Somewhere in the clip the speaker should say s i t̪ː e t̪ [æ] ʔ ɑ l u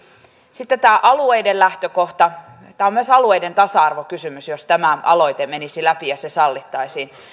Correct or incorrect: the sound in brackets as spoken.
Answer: incorrect: æː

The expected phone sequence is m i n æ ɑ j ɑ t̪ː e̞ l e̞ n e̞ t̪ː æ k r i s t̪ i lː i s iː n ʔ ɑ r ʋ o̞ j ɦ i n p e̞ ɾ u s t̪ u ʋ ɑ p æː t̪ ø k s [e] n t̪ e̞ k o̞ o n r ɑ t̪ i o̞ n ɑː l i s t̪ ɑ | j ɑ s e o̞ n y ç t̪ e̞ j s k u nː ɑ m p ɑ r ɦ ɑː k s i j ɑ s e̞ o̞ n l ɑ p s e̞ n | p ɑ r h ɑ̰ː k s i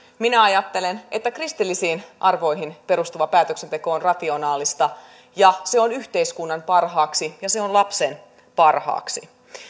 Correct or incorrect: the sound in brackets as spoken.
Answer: correct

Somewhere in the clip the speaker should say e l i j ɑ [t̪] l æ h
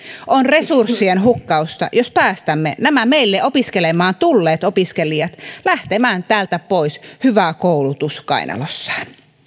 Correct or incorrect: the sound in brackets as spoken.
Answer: correct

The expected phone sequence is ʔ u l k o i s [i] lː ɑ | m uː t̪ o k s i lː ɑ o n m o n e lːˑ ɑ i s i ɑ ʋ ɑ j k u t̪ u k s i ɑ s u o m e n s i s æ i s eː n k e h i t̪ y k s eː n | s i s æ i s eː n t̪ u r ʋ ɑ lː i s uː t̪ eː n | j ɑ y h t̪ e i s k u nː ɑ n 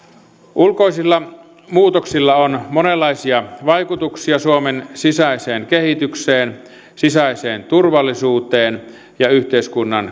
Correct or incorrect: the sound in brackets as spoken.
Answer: correct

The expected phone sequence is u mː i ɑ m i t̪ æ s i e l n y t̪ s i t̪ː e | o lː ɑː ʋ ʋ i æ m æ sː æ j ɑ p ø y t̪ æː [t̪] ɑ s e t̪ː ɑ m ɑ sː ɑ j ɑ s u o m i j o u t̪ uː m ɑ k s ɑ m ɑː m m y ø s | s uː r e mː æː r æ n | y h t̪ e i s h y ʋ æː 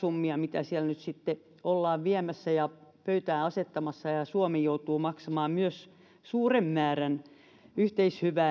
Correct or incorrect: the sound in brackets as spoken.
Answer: incorrect: none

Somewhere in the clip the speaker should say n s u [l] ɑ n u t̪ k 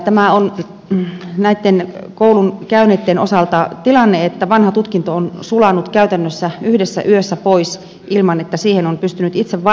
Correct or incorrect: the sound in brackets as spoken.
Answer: correct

